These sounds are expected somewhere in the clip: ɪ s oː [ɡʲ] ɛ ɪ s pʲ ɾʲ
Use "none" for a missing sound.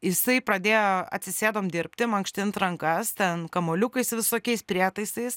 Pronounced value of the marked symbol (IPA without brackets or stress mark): kʲ